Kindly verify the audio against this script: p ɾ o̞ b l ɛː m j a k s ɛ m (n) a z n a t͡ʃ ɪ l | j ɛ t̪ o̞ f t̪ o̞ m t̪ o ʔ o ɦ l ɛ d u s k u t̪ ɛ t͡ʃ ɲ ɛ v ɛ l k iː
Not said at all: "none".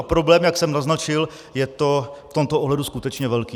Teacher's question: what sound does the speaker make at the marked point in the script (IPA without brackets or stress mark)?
n